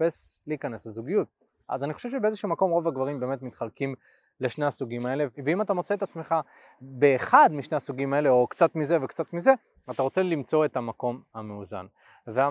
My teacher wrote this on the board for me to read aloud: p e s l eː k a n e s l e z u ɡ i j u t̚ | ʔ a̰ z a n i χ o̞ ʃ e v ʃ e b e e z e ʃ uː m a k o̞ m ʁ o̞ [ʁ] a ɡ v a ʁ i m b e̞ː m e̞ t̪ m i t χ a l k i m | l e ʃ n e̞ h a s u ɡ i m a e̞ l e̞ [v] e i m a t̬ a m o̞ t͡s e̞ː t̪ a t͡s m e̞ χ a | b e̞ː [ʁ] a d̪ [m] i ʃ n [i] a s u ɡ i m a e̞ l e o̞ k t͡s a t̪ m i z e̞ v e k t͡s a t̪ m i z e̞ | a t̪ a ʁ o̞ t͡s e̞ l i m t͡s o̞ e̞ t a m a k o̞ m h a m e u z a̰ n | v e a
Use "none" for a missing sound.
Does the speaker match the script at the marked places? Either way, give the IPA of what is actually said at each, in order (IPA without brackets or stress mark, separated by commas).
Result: v, v, χ, m, e